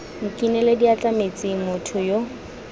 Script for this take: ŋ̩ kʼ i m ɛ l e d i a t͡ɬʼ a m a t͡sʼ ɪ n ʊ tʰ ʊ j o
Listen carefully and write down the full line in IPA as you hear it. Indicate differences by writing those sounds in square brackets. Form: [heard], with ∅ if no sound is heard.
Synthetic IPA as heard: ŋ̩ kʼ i [n] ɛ l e d i a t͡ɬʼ a m [e] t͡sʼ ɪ [m] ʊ tʰ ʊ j o